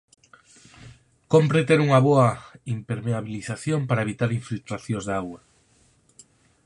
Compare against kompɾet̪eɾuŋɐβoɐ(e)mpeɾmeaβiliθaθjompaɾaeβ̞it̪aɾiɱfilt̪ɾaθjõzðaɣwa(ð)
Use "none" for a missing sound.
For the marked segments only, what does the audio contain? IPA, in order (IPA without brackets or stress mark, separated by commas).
i, none